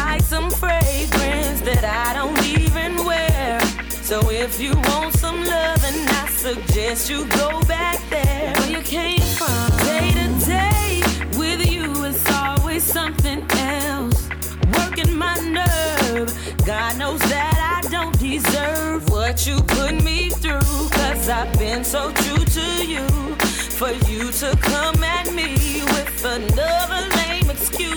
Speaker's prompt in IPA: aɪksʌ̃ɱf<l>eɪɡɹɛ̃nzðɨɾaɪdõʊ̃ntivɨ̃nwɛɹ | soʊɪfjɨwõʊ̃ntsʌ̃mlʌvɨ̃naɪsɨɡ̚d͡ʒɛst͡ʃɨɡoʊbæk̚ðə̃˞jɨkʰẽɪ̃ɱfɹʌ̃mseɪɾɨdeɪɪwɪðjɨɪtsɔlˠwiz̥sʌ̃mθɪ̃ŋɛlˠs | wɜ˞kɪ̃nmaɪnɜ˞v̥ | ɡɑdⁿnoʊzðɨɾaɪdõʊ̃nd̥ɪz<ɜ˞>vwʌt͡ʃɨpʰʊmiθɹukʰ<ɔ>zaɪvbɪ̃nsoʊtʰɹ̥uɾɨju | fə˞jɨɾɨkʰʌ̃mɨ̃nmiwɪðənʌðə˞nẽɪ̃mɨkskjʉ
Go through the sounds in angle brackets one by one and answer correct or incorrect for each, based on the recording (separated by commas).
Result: incorrect, correct, incorrect